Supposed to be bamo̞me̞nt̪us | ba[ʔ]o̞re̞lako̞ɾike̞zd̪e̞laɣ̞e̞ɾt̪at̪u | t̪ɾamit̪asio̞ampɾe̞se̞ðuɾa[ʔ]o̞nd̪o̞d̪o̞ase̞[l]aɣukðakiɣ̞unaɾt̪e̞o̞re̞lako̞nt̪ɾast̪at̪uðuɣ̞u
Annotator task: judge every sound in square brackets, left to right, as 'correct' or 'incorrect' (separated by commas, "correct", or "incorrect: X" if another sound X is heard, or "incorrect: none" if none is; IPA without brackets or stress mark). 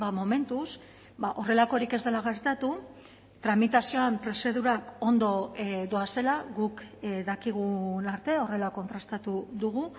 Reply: correct, incorrect: k, correct